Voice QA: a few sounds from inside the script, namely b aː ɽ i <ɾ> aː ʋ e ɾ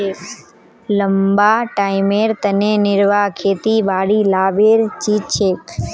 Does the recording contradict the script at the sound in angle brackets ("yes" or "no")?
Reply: yes